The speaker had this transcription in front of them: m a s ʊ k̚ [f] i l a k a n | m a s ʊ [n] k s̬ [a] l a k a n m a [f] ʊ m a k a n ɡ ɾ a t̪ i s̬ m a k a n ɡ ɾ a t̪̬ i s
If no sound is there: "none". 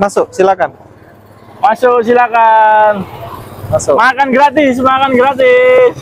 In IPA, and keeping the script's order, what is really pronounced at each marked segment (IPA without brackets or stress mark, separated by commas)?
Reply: s, none, i, s